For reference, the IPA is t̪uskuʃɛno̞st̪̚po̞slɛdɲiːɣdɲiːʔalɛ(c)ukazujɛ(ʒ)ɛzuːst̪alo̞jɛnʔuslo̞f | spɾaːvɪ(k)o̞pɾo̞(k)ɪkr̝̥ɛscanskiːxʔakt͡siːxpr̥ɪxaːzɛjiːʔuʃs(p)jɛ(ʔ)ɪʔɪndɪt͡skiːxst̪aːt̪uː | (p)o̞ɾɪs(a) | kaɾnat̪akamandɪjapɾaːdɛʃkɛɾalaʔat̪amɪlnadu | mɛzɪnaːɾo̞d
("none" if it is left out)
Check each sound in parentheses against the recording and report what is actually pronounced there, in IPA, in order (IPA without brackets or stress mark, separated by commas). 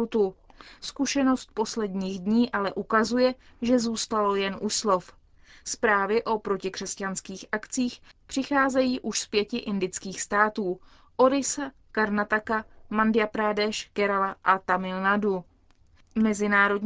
ʔ, ʒ, ʔ, c, p, c, ʔ, a